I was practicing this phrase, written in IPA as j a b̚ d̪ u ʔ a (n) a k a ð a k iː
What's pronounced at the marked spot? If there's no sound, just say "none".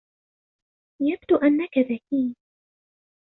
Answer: nː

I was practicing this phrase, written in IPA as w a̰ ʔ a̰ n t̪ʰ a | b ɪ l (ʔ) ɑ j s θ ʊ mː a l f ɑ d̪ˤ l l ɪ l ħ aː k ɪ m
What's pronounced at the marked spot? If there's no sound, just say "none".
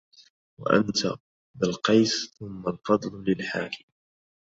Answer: q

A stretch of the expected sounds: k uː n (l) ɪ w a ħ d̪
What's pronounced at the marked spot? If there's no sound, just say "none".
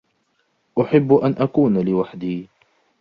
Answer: l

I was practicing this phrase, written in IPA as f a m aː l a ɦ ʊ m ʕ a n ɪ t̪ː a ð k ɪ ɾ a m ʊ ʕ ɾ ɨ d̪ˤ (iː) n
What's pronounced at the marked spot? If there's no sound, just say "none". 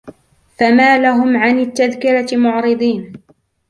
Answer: iː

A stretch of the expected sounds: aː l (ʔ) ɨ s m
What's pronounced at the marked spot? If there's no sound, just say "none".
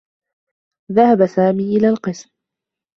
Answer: q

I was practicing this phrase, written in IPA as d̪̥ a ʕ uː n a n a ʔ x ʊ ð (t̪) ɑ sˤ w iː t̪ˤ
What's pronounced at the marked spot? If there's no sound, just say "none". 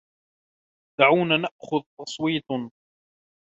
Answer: t̪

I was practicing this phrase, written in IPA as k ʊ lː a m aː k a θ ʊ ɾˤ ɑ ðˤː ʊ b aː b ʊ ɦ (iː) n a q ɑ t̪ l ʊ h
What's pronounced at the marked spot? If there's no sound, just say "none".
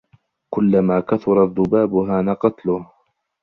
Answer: aː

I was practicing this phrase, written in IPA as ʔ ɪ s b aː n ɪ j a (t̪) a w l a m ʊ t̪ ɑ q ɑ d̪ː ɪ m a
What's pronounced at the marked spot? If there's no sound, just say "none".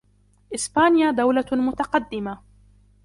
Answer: d̪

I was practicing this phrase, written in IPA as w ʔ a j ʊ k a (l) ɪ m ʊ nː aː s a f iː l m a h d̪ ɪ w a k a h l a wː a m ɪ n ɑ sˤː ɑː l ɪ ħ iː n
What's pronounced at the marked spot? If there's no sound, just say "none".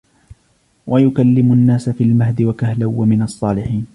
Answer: lː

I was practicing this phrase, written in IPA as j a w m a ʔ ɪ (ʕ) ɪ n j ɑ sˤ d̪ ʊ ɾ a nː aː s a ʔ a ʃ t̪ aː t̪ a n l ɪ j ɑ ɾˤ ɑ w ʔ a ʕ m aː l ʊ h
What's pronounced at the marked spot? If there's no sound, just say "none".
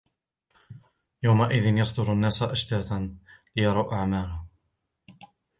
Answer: ð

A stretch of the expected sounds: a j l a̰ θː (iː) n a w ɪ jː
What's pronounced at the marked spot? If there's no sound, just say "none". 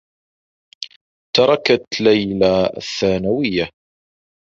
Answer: aː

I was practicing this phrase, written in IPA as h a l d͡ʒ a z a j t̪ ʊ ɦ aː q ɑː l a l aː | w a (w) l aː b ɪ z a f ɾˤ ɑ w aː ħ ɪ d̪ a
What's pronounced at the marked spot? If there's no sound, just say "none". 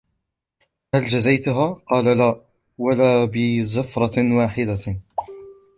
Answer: none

